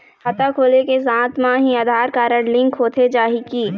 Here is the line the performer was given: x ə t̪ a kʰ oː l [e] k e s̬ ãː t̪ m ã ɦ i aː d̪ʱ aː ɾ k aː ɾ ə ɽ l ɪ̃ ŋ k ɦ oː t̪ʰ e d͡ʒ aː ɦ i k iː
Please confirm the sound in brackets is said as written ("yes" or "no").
yes